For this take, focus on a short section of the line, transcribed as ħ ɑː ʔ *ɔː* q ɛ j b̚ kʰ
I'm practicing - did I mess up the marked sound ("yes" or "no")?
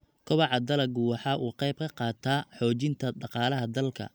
yes